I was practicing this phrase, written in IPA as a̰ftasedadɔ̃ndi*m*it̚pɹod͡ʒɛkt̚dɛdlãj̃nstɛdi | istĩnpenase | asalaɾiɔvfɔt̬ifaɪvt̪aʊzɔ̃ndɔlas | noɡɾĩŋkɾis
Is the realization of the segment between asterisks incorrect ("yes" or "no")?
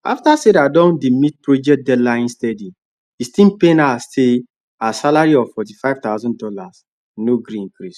no